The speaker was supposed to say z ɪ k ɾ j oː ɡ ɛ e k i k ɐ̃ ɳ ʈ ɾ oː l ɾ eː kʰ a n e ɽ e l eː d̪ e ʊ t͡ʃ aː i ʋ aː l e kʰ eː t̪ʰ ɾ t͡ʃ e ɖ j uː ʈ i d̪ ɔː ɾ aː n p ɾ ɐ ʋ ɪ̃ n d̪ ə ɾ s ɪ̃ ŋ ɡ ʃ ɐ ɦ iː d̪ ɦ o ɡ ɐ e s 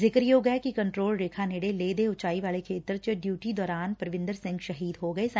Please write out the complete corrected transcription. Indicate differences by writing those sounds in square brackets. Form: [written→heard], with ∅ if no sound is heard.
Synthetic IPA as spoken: z ɪ k ɾ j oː ɡ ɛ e k i k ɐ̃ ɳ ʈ ɾ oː l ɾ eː kʰ a n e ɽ e l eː d̪ e ʊ t͡ʃ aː i ʋ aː l e kʰ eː [t̪ʰ→t̪] ɾ t͡ʃ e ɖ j uː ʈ i d̪ ɔː ɾ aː n p ɾ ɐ ʋ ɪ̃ n d̪ ə ɾ s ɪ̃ ŋ ɡ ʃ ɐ ɦ iː d̪ ɦ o ɡ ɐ e s